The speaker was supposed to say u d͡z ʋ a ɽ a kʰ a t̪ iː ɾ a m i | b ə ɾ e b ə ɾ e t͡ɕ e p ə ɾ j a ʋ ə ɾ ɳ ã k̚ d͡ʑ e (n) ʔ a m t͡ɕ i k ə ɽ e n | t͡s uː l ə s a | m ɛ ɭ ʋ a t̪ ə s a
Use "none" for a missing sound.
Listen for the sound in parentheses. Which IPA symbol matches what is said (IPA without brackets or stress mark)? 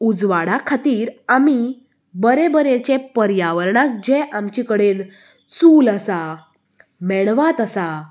none